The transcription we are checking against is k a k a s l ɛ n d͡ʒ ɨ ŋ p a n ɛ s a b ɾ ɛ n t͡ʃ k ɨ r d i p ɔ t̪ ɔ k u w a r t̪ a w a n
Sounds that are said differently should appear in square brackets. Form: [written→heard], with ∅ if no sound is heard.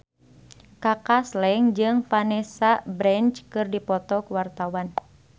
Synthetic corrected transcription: k a k a s l ɛ [n→ŋ] d͡ʒ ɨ ŋ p a n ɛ s a b ɾ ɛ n t͡ʃ k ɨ r d i p ɔ t̪ ɔ k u w a r t̪ a w a n